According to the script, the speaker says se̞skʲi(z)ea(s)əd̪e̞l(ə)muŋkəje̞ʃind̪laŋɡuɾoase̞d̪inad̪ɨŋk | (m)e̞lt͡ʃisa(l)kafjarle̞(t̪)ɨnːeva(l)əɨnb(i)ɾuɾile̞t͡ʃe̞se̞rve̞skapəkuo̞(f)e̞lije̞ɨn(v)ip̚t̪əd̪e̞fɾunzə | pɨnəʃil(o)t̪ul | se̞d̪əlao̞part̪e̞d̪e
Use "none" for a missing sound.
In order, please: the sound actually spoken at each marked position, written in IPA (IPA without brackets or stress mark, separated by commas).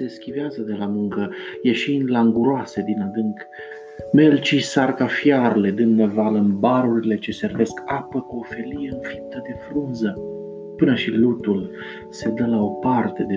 v, z, a, m, r, d̪, l, a, f, f, u